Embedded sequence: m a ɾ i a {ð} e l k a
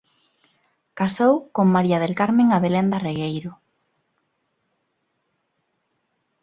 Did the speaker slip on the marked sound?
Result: no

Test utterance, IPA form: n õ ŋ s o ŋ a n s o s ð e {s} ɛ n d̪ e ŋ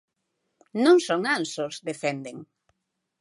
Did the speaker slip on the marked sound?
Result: yes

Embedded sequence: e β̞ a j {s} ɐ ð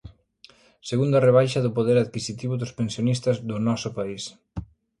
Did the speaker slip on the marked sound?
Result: yes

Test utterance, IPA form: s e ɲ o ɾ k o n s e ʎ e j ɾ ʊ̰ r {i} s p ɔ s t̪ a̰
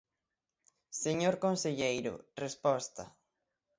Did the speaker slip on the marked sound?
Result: yes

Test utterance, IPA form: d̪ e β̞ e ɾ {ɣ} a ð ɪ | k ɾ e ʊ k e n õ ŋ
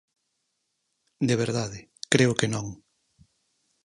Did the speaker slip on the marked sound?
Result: yes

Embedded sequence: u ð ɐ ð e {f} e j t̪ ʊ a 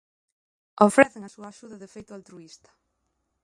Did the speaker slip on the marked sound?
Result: no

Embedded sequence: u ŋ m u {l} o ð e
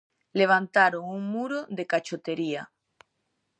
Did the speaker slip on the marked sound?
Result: yes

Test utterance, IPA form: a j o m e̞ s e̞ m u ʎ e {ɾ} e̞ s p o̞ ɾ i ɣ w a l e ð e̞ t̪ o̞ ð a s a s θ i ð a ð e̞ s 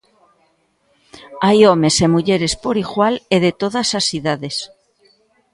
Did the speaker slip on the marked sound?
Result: no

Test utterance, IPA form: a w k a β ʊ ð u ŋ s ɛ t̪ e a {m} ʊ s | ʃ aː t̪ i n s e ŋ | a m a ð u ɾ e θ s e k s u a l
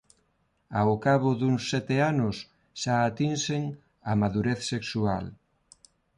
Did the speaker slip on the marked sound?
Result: yes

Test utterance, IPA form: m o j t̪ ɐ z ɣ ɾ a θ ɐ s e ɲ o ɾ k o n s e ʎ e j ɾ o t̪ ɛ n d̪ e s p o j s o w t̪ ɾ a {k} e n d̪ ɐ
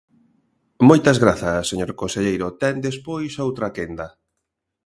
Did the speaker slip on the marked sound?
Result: no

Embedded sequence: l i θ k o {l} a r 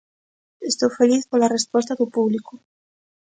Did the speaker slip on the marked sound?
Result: no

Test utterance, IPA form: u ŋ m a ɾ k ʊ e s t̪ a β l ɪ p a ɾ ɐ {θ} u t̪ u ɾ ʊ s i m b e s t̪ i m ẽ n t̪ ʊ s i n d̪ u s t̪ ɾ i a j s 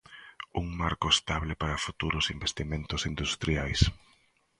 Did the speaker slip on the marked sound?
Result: yes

